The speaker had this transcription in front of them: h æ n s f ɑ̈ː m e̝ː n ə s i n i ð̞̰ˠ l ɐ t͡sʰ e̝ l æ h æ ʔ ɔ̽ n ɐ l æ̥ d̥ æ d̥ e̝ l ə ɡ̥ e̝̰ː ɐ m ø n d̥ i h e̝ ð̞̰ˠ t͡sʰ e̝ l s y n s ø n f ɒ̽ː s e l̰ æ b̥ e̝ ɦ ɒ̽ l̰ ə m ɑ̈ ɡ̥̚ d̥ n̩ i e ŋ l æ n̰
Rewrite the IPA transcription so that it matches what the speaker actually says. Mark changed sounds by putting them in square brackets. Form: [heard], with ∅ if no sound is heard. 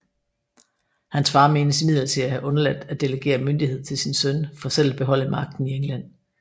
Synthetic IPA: h æ n s f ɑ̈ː m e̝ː n ə s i [m] i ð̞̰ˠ l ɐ t͡sʰ e̝ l æ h æ ʔ ɔ̽ n ɐ l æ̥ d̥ æ d̥ e̝ l ə ɡ̥ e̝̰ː ɐ m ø n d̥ i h e̝ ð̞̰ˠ t͡sʰ e̝ l s [i] n s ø n f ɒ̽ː s e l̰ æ b̥ e̝ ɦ ɒ̽ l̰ ə m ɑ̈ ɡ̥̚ d̥ n̩ i e ŋ l æ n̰